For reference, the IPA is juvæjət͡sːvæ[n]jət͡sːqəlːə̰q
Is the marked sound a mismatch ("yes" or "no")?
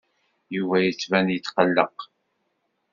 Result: no